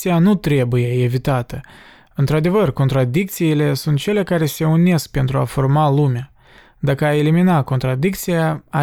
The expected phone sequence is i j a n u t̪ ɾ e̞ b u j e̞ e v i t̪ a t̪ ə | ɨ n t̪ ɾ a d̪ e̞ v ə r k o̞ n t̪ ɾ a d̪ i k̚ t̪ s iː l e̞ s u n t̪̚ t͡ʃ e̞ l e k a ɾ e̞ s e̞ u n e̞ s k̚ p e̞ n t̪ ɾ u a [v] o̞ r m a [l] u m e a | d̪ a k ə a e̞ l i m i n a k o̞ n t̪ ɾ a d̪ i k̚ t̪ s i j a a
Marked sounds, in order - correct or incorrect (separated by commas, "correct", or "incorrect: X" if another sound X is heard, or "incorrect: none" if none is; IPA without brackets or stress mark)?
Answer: incorrect: f, correct